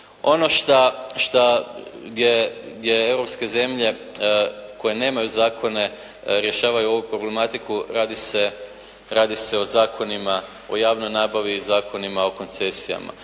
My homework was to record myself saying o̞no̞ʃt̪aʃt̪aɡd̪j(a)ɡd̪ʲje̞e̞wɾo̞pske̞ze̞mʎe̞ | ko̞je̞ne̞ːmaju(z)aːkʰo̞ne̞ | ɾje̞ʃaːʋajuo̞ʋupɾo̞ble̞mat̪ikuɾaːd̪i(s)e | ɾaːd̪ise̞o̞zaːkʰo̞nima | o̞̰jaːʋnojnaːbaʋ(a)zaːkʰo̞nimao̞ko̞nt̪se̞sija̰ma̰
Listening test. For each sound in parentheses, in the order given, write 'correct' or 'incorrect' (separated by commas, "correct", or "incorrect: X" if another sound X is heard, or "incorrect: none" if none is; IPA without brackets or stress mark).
incorrect: e, correct, correct, incorrect: i